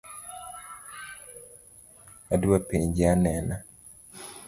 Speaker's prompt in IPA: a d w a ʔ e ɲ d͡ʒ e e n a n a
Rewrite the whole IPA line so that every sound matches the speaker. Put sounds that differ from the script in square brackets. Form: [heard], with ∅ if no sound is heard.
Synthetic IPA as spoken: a d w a [p] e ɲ d͡ʒ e [a] n [ɛ] n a